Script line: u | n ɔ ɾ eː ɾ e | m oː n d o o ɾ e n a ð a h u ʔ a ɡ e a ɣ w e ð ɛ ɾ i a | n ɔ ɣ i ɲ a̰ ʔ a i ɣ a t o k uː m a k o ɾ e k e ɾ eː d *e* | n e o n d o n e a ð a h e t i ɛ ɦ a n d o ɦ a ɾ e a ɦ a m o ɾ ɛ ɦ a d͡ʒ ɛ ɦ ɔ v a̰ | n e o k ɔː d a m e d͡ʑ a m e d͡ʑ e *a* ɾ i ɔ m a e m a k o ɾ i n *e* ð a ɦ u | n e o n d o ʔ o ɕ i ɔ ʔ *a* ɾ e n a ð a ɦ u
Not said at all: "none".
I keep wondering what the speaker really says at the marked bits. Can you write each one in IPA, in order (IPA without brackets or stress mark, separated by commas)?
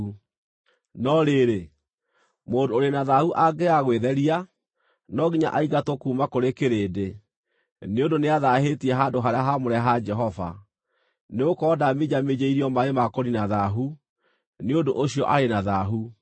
e, i, a, a